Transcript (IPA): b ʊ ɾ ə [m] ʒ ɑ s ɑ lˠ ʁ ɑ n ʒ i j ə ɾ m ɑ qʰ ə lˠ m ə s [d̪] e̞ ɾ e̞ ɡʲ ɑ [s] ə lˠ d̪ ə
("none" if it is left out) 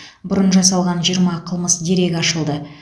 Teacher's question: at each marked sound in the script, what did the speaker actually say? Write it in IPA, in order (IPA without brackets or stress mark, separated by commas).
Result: n, d̪, ʃ